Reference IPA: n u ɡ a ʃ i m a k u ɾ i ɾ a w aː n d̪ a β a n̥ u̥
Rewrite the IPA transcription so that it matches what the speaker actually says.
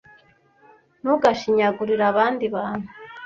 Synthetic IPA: n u ɡ a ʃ i ɲ a ɡ u ɾ i ɾ a β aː n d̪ i β a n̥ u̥